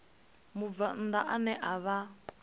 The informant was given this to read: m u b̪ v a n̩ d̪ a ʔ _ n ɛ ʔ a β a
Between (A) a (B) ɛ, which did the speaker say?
A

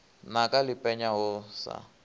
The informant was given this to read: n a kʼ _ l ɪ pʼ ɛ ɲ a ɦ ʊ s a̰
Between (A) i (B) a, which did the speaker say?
B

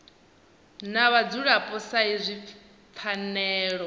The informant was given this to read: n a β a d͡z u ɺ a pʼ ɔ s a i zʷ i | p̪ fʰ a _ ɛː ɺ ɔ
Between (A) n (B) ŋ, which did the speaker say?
A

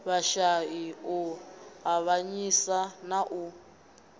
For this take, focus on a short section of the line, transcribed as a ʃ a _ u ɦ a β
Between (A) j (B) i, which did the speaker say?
B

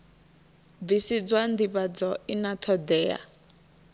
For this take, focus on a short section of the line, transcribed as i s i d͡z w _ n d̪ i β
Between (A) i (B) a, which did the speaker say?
B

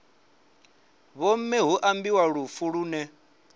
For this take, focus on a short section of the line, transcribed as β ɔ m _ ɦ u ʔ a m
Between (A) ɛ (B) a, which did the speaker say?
A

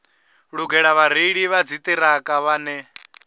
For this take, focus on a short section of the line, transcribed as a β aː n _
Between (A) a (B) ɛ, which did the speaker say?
B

